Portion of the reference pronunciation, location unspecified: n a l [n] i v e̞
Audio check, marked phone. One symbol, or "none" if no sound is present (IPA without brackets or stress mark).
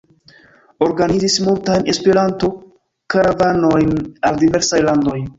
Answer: d